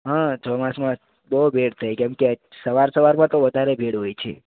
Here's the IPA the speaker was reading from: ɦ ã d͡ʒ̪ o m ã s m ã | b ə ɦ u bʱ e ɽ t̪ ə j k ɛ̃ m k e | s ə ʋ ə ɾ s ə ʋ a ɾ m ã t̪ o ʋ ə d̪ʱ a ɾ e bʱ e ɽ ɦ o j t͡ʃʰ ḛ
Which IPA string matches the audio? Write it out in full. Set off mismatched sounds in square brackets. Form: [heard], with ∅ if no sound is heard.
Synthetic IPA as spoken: ɦ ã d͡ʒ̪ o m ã s m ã | b ə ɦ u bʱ e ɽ [t̪ʰ] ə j k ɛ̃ m k e | s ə ʋ [a] ɾ s ə ʋ a ɾ m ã t̪ o ʋ ə d̪ʱ a ɾ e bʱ e ɽ ɦ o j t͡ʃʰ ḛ